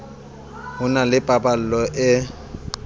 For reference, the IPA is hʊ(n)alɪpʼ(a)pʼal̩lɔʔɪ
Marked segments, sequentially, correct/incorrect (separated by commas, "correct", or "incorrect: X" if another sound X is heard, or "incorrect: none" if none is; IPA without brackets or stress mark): correct, correct